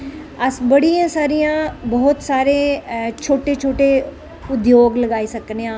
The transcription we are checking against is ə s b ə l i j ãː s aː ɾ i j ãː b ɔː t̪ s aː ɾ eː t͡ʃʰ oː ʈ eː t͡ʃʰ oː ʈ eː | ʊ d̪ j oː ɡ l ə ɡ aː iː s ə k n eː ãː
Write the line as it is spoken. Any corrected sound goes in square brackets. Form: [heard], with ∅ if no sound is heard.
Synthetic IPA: ə s b ə [ɽ] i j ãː s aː ɾ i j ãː b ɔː t̪ s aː ɾ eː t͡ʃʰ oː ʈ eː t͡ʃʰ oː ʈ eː | ʊ d̪ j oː ɡ l ə ɡ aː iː s ə k n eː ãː